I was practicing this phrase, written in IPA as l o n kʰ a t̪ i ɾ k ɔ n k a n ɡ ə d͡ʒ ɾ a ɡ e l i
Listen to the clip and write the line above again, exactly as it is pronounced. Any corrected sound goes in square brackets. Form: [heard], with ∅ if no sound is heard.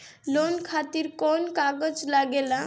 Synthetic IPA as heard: l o n kʰ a t̪ i ɾ k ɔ n k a [∅] ɡ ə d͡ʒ [l] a ɡ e l [a]